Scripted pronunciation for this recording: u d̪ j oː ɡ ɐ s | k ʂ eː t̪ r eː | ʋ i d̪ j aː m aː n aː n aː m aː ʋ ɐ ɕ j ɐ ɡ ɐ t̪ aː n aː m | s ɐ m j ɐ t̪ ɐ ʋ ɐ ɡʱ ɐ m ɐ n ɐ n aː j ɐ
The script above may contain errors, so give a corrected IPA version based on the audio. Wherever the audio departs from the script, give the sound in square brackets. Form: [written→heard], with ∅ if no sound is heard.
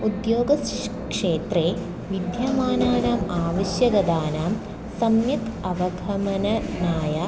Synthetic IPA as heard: u d̪ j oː ɡ ɐ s | k ʂ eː t̪ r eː | ʋ i d̪ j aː m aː n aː n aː m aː ʋ ɐ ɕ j ɐ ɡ ɐ [t̪→d̪] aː n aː m | s ɐ m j ɐ t̪ ɐ ʋ ɐ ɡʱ ɐ m ɐ n ɐ n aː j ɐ

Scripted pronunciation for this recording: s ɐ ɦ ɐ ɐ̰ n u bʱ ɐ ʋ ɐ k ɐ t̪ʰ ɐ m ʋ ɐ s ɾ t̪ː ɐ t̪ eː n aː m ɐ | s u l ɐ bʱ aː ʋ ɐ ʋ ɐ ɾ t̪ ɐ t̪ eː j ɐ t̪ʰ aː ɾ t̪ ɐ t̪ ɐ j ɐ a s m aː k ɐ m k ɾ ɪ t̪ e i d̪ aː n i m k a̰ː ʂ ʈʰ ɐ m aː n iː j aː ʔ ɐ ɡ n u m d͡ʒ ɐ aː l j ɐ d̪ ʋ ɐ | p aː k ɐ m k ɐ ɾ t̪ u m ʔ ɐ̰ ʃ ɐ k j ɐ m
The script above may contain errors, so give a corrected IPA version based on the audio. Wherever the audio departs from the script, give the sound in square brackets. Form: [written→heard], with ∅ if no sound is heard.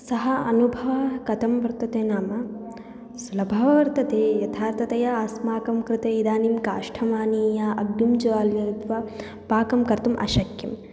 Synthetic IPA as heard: s ɐ ɦ ɐ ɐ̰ n u bʱ ɐ ʋ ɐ k ɐ [t̪ʰ→t̪] ɐ m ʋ ɐ [s→∅] ɾ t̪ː ɐ t̪ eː n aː m ɐ | s u l ɐ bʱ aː ʋ ɐ ʋ ɐ ɾ t̪ ɐ t̪ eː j ɐ t̪ʰ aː ɾ t̪ ɐ t̪ ɐ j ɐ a s m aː k ɐ m k ɾ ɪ t̪ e i d̪ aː n i m k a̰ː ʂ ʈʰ ɐ m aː n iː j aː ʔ ɐ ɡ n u m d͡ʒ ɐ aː l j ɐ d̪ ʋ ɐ | p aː k ɐ m k ɐ ɾ t̪ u m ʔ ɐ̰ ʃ ɐ k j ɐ m

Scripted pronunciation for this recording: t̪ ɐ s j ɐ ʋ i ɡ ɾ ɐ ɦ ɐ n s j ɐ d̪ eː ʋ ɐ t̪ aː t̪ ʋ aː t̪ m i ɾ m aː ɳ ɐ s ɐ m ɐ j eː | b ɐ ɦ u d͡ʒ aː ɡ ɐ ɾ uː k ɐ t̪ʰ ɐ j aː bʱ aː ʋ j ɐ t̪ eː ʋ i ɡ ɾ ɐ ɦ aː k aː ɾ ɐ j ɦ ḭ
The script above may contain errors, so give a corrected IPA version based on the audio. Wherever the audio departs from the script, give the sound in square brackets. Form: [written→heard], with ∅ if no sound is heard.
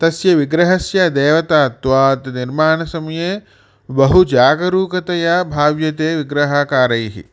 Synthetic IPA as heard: t̪ ɐ s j ɐ ʋ i ɡ ɾ ɐ ɦ ɐ [n→∅] s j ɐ d̪ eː ʋ ɐ t̪ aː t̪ ʋ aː t̪ [m→n] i ɾ m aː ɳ ɐ s ɐ m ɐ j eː | b ɐ ɦ u d͡ʒ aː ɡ ɐ ɾ uː k ɐ [t̪ʰ→t̪] ɐ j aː bʱ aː ʋ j ɐ t̪ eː ʋ i ɡ ɾ ɐ ɦ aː k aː ɾ ɐ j ɦ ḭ

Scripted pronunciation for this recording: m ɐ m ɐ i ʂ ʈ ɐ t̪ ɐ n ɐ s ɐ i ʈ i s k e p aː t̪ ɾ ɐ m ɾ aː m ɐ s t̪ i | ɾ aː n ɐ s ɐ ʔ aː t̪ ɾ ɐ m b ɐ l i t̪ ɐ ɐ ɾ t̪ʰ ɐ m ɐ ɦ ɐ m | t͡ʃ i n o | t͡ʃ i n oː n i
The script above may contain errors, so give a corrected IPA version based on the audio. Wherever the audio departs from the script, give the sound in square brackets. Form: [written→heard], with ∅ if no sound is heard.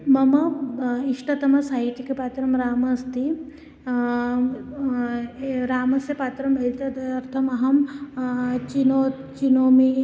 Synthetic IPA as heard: m ɐ m ɐ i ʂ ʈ ɐ t̪ ɐ [n→m] ɐ s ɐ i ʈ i [s→∅] k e p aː t̪ ɾ ɐ m ɾ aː m ɐ s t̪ i | ɾ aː [n→m] ɐ s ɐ [ʔ→p] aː t̪ ɾ ɐ m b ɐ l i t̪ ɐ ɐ ɾ t̪ʰ ɐ m ɐ ɦ ɐ m | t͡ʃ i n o | t͡ʃ i n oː [n→m] i

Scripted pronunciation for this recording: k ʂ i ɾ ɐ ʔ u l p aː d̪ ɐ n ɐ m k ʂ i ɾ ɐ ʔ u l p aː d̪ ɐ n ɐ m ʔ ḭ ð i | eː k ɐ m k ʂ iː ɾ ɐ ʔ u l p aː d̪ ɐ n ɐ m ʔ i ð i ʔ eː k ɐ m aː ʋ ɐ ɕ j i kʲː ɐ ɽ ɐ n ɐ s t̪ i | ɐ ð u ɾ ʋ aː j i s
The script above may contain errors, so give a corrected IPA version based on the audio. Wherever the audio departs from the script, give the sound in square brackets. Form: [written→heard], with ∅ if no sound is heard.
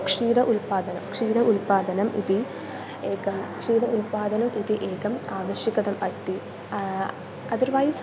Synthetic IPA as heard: k ʂ [i→iː] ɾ ɐ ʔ u l p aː d̪ ɐ n ɐ m k ʂ [i→iː] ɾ ɐ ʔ u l p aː d̪ ɐ n ɐ m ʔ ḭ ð i | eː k ɐ m k ʂ iː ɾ ɐ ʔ u l p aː d̪ ɐ n ɐ m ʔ i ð i ʔ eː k ɐ m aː ʋ ɐ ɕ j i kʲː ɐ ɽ ɐ [n→m] ɐ s t̪ i | ɐ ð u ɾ ʋ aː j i s

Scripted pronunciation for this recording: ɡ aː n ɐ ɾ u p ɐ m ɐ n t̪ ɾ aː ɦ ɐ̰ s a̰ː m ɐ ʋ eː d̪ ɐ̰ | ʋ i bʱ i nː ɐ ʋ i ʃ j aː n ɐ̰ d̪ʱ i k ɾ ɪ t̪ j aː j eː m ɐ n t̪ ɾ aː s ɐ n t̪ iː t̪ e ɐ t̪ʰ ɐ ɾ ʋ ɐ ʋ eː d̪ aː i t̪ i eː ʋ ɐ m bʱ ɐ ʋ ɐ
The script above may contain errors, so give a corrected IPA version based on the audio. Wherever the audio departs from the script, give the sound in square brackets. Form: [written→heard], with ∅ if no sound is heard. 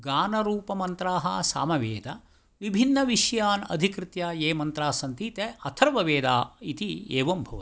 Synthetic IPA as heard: ɡ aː n ɐ ɾ [u→uː] p ɐ m ɐ n t̪ ɾ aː ɦ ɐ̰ s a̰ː m ɐ ʋ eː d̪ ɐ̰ | ʋ i bʱ i nː ɐ ʋ i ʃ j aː n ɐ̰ d̪ʱ i k ɾ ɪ t̪ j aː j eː m ɐ n t̪ ɾ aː s ɐ n t̪ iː t̪ e ɐ t̪ʰ ɐ ɾ ʋ ɐ ʋ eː d̪ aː i t̪ i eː ʋ ɐ m bʱ ɐ ʋ ɐ

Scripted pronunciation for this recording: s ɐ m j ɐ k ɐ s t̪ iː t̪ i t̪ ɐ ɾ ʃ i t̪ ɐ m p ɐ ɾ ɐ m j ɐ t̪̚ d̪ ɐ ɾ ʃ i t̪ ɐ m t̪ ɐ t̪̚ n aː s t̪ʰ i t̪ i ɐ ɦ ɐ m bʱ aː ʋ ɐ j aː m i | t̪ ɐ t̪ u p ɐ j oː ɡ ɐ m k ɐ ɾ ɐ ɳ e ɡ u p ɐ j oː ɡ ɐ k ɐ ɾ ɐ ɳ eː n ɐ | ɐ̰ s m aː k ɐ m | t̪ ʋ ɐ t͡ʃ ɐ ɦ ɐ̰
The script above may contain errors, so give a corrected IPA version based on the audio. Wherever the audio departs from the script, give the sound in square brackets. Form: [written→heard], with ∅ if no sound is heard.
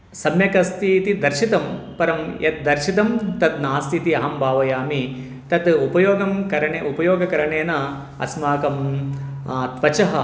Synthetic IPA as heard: s ɐ m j ɐ k ɐ s t̪ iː t̪ i [t̪→d̪] ɐ ɾ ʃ i t̪ ɐ m p ɐ ɾ ɐ m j ɐ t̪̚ d̪ ɐ ɾ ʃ i t̪ ɐ m t̪ ɐ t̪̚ n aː s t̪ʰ i t̪ i ɐ ɦ ɐ m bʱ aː ʋ ɐ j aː m i | t̪ ɐ t̪ u p ɐ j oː ɡ ɐ m k ɐ ɾ ɐ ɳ e [ɡ→∅] u p ɐ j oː ɡ ɐ k ɐ ɾ ɐ ɳ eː n ɐ | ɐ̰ s m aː k ɐ m | t̪ ʋ ɐ t͡ʃ ɐ ɦ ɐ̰

